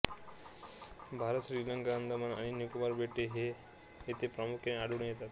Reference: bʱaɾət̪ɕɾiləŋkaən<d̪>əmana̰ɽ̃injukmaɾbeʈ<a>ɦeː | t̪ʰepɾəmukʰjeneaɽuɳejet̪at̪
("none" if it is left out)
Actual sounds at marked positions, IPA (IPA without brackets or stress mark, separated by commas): d̪, e